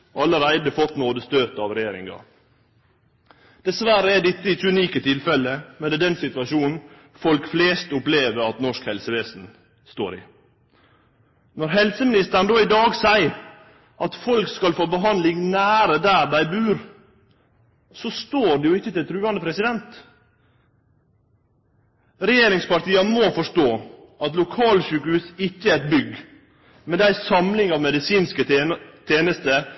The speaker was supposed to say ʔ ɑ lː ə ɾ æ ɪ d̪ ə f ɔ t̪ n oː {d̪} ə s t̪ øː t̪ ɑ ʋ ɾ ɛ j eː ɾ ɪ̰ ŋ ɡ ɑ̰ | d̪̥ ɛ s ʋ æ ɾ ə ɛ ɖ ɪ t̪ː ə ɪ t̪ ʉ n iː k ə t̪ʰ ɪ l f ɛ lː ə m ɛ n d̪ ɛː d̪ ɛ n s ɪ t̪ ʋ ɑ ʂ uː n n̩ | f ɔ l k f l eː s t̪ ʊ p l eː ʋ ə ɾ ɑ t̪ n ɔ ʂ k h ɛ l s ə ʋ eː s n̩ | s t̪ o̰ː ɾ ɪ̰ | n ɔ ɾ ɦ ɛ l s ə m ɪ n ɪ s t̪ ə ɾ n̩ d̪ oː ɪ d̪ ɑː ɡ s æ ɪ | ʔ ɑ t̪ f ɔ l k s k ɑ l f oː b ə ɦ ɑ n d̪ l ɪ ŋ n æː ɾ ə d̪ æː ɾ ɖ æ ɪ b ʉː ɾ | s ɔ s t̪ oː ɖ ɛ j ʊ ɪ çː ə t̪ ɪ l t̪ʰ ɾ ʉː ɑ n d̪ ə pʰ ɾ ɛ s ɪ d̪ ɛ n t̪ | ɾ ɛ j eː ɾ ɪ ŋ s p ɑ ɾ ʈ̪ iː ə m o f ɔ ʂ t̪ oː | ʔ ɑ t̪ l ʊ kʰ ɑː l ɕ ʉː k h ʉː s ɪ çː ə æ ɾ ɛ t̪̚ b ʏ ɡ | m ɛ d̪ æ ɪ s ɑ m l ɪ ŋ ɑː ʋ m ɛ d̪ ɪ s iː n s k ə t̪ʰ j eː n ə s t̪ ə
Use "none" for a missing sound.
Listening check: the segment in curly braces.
d̪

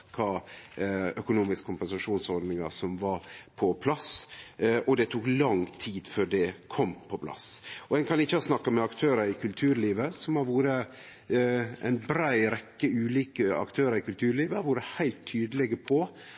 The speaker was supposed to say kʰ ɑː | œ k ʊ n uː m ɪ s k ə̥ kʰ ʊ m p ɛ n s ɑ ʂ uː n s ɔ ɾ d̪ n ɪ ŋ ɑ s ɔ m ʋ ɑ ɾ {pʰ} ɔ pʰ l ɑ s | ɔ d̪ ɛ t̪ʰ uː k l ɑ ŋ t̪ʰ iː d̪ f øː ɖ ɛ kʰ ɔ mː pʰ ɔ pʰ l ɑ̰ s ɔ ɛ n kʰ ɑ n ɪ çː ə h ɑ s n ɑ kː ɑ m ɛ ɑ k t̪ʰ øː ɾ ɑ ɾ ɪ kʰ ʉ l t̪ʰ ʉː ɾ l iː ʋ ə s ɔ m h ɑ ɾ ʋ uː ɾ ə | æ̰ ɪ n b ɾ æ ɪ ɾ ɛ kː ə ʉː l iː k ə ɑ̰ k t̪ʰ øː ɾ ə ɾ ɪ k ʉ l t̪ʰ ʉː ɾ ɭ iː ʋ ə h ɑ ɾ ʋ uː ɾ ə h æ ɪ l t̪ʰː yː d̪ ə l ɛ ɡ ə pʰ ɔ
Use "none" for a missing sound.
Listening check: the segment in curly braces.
pʰ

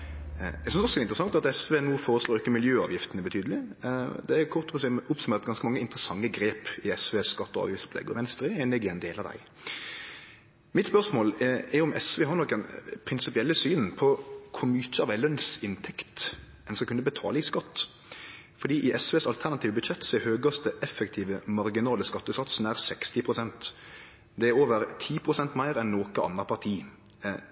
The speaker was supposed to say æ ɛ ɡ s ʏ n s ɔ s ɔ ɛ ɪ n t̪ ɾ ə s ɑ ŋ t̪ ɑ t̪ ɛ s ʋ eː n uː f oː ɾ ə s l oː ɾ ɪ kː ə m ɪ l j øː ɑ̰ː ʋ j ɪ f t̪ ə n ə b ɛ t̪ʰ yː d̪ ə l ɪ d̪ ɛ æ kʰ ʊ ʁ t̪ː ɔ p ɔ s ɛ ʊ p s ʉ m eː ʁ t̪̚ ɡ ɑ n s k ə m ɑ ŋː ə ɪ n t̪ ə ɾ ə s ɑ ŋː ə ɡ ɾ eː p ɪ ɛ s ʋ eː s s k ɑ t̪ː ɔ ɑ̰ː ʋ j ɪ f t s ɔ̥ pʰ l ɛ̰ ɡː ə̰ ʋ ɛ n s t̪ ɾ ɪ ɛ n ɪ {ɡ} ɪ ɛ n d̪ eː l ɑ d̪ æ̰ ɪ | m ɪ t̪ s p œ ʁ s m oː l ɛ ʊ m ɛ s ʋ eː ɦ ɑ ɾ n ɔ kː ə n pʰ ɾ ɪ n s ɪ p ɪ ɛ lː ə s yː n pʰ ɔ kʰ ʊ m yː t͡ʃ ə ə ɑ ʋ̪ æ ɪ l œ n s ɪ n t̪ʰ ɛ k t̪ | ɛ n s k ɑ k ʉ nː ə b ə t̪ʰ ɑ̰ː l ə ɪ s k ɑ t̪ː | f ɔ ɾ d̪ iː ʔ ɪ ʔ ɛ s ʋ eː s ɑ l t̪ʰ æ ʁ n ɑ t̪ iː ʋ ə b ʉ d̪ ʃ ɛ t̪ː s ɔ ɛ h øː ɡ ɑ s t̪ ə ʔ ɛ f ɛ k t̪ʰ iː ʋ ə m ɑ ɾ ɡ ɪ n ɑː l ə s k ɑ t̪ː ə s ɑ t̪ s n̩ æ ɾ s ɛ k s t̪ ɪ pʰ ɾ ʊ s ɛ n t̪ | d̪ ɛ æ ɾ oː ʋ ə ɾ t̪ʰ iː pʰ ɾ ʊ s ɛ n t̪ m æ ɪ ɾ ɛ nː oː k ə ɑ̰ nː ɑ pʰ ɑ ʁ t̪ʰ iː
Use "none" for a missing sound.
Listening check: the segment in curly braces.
ɡ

